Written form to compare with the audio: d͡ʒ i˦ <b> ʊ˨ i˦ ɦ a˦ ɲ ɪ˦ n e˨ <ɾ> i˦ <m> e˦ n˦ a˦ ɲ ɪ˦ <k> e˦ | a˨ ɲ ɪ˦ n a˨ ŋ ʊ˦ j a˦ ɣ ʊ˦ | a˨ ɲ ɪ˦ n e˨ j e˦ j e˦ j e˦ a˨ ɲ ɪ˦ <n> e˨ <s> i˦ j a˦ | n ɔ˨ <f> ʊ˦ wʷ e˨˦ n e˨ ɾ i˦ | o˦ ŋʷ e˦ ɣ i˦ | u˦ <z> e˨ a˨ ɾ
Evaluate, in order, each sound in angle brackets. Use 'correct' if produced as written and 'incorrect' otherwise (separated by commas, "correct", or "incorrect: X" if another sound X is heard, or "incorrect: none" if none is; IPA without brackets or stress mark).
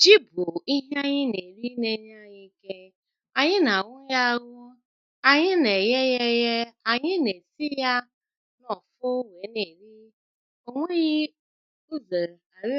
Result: correct, correct, incorrect: n, correct, correct, correct, correct, correct